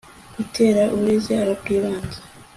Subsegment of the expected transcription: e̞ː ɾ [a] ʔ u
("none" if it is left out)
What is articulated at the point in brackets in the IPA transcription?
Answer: a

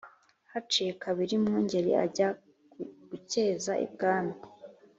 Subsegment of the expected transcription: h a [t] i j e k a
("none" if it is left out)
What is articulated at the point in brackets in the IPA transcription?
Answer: t͡ʃ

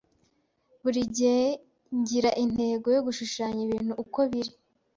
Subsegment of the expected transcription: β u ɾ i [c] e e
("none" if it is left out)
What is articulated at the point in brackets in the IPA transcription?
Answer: ɟ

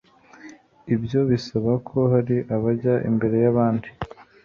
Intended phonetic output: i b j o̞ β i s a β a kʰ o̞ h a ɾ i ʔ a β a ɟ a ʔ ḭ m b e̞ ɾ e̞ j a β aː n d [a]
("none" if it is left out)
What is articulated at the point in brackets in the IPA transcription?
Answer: i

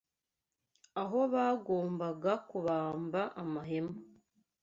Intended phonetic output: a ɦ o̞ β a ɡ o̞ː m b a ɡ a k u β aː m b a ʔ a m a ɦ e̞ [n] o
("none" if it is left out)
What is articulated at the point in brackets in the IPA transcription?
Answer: m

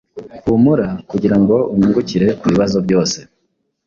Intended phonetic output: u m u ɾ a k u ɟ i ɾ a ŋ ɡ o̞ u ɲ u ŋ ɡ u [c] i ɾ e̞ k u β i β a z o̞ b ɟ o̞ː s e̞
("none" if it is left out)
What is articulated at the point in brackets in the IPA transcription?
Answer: c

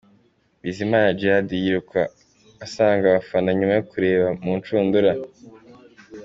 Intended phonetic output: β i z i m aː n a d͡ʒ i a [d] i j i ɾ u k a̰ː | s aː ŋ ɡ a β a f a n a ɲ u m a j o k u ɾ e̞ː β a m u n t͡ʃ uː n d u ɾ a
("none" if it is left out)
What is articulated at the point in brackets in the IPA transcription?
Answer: d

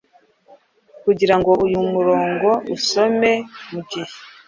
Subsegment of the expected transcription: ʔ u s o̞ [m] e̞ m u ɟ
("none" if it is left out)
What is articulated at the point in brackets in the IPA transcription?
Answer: m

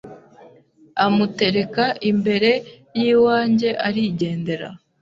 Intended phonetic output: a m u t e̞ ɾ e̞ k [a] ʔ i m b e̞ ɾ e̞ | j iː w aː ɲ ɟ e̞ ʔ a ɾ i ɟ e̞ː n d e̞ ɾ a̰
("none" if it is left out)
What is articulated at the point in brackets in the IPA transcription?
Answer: a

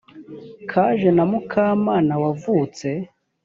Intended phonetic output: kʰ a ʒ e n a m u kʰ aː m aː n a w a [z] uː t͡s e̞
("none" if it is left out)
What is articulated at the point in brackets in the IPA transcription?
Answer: v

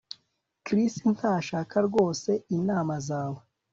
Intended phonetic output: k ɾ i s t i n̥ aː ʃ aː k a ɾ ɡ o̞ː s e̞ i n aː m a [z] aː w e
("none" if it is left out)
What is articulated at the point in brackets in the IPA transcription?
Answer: z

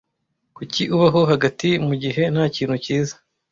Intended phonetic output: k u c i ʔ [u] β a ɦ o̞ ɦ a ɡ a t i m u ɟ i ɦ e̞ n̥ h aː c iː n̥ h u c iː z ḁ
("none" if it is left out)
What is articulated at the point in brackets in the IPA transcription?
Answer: u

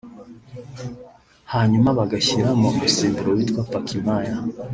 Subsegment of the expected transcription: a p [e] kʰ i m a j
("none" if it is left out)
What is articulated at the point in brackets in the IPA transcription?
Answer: a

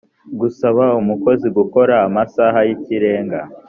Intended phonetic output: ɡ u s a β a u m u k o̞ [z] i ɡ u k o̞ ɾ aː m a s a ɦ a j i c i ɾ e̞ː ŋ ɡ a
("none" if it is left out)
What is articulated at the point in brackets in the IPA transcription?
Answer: z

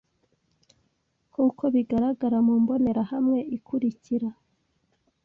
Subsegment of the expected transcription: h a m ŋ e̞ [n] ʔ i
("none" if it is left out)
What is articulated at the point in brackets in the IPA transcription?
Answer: none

